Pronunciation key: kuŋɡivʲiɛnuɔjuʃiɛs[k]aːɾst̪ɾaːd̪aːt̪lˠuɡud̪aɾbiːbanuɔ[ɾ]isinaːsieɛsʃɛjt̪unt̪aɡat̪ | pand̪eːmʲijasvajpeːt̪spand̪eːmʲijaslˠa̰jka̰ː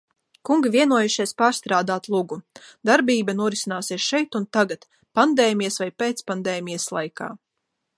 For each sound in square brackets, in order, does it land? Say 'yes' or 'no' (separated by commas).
no, yes